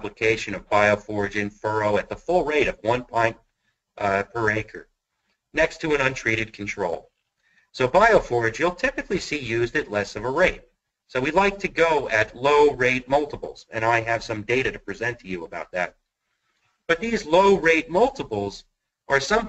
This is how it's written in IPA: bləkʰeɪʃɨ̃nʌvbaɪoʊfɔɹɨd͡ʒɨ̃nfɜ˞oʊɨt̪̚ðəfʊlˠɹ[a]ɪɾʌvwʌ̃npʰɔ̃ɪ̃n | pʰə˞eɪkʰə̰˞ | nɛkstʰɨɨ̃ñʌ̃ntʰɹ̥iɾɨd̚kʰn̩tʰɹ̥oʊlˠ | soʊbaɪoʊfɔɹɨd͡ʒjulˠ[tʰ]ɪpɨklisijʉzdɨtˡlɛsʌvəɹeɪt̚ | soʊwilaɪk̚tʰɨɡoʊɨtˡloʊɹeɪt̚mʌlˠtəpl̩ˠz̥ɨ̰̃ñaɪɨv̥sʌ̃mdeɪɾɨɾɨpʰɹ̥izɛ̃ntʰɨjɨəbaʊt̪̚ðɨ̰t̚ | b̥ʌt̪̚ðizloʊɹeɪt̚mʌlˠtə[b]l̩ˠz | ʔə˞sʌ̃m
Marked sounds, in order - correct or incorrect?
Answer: incorrect: e, correct, incorrect: p

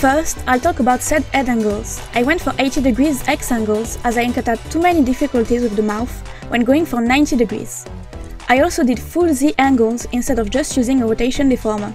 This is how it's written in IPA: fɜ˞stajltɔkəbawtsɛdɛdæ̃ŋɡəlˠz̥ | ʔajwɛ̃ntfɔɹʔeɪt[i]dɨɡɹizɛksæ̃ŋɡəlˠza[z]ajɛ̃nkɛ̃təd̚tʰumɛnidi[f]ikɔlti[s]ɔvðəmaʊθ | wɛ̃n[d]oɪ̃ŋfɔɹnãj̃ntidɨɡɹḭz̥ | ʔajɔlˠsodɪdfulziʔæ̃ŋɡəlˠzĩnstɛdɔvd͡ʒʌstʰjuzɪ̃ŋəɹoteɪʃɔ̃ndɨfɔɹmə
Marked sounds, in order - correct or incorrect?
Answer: correct, correct, correct, incorrect: z, incorrect: ɡ

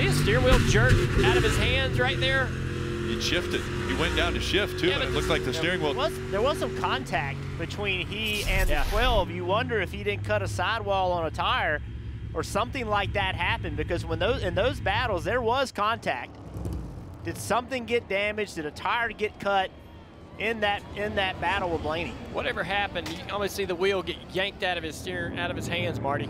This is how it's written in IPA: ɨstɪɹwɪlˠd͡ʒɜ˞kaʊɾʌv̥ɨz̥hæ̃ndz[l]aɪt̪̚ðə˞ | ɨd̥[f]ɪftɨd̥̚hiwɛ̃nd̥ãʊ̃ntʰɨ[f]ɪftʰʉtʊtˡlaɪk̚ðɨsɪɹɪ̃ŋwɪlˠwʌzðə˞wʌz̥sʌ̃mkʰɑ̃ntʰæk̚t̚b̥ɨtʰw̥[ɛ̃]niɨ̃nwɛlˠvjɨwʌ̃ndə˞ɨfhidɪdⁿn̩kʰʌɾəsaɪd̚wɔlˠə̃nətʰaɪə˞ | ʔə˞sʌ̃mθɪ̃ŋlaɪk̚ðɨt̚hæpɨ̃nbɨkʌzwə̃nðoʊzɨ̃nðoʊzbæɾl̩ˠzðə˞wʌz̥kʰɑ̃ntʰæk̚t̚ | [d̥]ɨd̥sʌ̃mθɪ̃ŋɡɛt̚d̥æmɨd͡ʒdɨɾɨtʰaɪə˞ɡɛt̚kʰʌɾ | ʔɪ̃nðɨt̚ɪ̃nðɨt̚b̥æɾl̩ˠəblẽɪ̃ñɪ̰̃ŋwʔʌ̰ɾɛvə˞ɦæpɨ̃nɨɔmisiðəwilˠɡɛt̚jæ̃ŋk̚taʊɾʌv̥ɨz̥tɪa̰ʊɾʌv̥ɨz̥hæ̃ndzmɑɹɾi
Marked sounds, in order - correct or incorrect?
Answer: incorrect: ɹ, incorrect: ʃ, incorrect: ʃ, incorrect: ĩ, correct

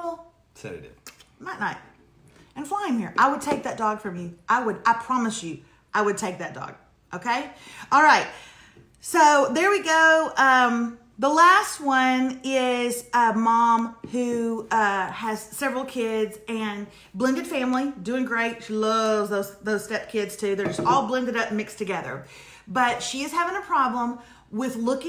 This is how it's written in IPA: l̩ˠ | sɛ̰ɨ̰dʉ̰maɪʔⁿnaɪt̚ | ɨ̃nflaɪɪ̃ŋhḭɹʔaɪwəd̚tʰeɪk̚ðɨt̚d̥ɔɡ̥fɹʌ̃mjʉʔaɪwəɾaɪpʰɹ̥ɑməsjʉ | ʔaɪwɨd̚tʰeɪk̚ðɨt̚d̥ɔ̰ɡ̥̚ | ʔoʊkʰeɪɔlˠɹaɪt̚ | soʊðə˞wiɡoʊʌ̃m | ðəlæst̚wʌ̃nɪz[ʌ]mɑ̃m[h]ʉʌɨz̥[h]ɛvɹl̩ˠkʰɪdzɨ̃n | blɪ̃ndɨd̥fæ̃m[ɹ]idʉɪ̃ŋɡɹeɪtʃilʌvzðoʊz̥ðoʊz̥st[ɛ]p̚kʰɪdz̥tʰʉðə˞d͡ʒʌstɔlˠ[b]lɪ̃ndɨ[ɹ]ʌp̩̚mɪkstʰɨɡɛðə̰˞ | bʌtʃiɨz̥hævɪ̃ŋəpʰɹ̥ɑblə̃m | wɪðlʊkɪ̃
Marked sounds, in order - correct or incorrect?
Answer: correct, correct, incorrect: s, incorrect: l, correct, correct, incorrect: ɾ

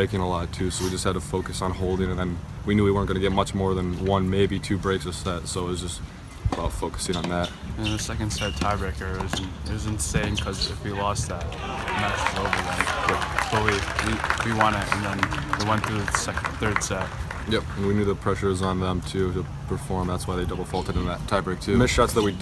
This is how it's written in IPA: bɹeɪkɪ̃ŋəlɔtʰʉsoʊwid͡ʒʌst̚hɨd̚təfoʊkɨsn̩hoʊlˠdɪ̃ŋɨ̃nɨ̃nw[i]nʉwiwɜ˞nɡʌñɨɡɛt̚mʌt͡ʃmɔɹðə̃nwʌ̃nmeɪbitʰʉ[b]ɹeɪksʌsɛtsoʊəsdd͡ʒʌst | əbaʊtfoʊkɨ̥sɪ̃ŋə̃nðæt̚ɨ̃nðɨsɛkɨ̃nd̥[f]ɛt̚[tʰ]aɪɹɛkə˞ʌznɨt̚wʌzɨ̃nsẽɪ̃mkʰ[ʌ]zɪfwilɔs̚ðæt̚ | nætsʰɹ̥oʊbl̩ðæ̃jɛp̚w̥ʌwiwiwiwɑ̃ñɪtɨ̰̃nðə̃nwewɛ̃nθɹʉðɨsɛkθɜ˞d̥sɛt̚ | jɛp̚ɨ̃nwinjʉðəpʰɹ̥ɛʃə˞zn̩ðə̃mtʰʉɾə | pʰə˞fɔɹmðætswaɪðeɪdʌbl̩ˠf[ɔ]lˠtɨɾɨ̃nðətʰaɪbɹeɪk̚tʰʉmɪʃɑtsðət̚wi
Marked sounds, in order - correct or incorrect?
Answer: correct, correct, incorrect: s, correct, correct, correct

